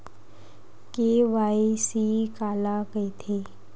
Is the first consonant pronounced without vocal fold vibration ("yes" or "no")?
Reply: yes